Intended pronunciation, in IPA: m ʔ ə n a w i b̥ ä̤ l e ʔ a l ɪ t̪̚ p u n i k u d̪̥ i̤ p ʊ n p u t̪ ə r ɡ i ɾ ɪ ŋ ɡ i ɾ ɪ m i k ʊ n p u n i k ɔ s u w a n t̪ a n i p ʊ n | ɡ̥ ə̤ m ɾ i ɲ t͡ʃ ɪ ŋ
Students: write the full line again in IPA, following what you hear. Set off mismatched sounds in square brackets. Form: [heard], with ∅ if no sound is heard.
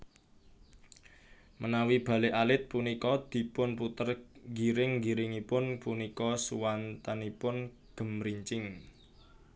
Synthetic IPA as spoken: m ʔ ə n a w i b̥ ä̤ l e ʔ a l ɪ t̪̚ p u n i k [ɔ] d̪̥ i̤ p ʊ n p u t̪ ə r ɡ i ɾ ɪ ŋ ɡ i ɾ ɪ [ŋ] i [p] ʊ n p u n i k ɔ s u w a n t̪ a n i p ʊ n | ɡ̥ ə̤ m ɾ i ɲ t͡ʃ ɪ ŋ